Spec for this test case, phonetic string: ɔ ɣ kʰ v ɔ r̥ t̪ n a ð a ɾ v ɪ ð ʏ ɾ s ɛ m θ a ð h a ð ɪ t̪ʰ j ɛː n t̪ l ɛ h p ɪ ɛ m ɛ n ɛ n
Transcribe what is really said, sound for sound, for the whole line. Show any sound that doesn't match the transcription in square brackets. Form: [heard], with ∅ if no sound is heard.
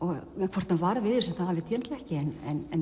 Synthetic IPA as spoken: ɔ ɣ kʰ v ɔ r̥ t̪ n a [v] a ɾ v ɪ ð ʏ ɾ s ɛ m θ a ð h a [v] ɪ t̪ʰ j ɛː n t̪ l ɛ h [c] ɪ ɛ [n] ɛ n ɛ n